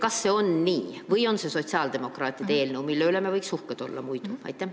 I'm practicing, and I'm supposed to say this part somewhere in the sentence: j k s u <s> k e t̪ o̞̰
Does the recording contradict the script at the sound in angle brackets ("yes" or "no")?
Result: yes